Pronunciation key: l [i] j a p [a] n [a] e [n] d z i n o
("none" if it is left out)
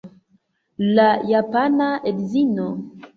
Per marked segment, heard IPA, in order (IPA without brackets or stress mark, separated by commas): a, a, a, none